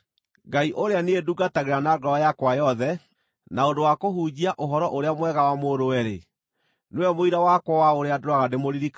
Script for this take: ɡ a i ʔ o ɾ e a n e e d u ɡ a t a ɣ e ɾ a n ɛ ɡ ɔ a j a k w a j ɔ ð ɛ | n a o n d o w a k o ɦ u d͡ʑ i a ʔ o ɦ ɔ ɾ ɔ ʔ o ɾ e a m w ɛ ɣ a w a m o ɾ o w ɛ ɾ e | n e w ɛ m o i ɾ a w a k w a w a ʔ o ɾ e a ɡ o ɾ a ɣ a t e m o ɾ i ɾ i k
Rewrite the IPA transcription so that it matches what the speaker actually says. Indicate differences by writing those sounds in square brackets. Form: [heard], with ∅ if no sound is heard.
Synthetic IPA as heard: ɡ a i ʔ o ɾ e a n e e d u ɡ a t a ɣ e ɾ a n [a] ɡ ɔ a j a k w a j ɔ ð ɛ | n a o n d o w a k o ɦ u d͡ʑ i a ʔ o ɦ ɔ ɾ ɔ ʔ o ɾ e a m w ɛ ɣ a w a m o ɾ o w ɛ ɾ e | n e w ɛ m o i ɾ a w a k w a w a [∅] o ɾ e a [d] o ɾ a ɣ a [d] e m o ɾ i ɾ i k

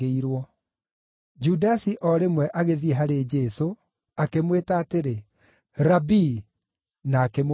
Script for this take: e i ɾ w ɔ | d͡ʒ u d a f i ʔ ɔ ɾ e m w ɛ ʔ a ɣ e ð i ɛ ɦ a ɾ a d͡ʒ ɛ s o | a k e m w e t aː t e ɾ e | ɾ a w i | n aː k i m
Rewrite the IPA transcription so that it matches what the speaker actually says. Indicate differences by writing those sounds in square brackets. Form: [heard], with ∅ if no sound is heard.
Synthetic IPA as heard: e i ɾ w ɔ | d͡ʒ u d a [s] i ʔ ɔ ɾ e m w ɛ ʔ a ɣ e ð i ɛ ɦ a ɾ [e] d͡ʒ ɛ s o | a k e m w e t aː t e ɾ e | ɾ a [b] i | n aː k [e] m

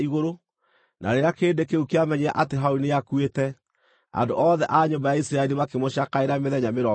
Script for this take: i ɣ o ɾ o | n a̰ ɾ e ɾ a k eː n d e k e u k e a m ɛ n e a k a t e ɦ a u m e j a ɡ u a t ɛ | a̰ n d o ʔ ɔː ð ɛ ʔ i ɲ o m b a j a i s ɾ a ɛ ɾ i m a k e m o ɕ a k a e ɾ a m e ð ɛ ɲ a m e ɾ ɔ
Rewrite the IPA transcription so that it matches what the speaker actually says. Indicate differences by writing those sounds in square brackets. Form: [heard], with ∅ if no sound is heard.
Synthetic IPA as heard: i ɣ o ɾ o | n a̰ ɾ e ɾ a k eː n d e k e u k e a m ɛ [ɲ] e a [ʔ] a t e ɦ a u [n] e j a [k] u [e] t ɛ | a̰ n d o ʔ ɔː ð ɛ ʔ [a] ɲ o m b a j a i s ɾ a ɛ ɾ i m a k e m o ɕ a k a e ɾ a m e ð ɛ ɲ a m e ɾ ɔ

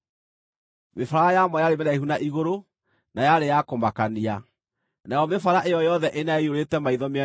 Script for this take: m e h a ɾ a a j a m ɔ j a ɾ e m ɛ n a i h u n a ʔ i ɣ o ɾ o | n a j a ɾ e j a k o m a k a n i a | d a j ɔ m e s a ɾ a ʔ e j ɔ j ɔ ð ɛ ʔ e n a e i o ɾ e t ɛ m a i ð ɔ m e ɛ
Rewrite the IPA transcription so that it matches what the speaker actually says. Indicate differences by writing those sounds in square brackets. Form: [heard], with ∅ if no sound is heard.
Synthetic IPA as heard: m e [f] a ɾ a a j a m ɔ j a ɾ e m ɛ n a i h u n a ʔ i ɣ o ɾ o | n a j a ɾ e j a k o m a k a n i a | [n] a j ɔ m e [f] a ɾ a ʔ e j ɔ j ɔ ð ɛ ʔ e n a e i o ɾ e t ɛ m a i ð ɔ m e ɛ

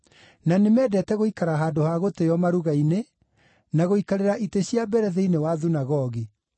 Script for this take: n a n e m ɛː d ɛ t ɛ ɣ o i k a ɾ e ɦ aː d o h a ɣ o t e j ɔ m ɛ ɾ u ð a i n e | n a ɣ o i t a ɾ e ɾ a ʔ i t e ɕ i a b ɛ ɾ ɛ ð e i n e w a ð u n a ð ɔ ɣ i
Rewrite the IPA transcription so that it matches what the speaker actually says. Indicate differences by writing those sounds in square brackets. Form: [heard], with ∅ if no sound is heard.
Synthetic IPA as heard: n a n e m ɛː d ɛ t ɛ ɣ o i k a ɾ [a] ɦ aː d o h a ɣ o t e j ɔ m [a] ɾ u [ɣ] a i n e | n a ɣ o i [k] a ɾ e ɾ a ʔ i t e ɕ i a b ɛ ɾ ɛ ð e i n e w a ð u n a [ɣ] ɔ ɣ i

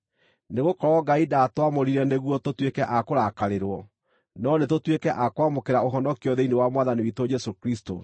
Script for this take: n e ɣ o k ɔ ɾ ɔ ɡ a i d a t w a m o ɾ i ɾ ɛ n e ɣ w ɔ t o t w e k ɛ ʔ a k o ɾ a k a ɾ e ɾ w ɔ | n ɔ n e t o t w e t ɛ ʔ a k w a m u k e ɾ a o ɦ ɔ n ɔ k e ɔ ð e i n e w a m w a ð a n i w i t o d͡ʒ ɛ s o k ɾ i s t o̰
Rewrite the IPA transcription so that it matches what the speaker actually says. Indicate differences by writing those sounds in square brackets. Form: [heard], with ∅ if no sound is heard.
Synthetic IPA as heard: n e ɣ o k ɔ ɾ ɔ ɡ a i d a t w a m o ɾ i ɾ ɛ n e ɣ w ɔ t o t w e k ɛ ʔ a k o ɾ a k a ɾ e ɾ w ɔ | n ɔ n e t o t w e [k] ɛ ʔ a k w a m [o] k e ɾ a o ɦ ɔ n ɔ k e ɔ ð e i n e w a m w a ð a n i w i t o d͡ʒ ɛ s o k ɾ i s t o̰

